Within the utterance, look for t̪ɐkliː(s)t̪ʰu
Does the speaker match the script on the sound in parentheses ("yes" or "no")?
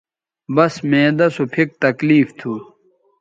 no